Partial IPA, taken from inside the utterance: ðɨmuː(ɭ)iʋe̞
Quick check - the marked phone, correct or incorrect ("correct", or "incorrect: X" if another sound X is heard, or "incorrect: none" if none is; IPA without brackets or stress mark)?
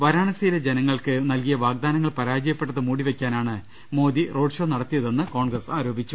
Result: incorrect: ɽ